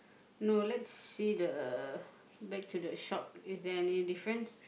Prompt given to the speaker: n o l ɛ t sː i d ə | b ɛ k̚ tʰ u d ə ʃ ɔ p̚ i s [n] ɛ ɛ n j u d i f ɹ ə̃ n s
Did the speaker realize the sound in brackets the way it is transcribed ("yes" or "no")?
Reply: no